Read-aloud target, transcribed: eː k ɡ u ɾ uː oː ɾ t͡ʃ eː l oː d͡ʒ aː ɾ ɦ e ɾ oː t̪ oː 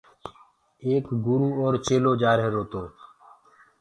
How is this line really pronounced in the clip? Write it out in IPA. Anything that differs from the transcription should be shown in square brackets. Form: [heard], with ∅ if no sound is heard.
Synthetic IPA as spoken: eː k ɡ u ɾ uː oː ɾ t͡ʃ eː l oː d͡ʒ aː ɾ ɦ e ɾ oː t̪ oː